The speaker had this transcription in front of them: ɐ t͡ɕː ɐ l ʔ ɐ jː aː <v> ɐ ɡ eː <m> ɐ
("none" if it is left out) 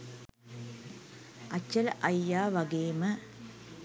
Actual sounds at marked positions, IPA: ʋ, m

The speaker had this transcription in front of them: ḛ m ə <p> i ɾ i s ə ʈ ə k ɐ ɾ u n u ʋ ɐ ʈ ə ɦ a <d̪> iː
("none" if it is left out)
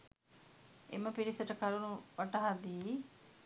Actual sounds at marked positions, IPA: p, d̪

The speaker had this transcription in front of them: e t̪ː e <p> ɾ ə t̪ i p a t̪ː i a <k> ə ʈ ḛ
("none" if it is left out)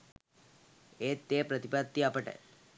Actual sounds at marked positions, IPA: p, p

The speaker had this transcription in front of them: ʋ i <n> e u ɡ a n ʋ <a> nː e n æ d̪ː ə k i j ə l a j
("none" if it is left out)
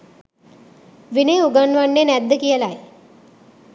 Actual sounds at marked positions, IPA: n, a

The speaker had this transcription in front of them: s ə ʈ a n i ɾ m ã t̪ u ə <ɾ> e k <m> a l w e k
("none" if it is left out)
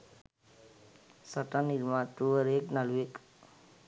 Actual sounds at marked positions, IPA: ɾ, n

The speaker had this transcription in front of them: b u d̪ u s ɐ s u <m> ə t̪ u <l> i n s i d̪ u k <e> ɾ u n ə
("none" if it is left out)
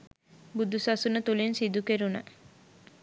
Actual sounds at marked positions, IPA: n, l, e

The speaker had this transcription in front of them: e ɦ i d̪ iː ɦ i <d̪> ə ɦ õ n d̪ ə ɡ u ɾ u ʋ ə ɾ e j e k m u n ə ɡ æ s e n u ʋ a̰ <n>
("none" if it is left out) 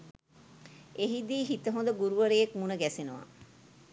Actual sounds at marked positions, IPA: t̪, none

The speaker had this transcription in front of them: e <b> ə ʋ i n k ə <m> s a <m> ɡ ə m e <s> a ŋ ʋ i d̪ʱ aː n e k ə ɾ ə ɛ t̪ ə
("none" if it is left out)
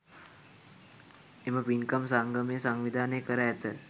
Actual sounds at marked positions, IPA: m, m, ŋ, s

